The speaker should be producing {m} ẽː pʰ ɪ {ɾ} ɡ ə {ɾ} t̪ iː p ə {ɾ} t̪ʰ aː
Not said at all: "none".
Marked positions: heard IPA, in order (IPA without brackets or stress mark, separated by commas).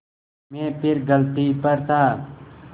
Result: m, ɾ, l, ɾ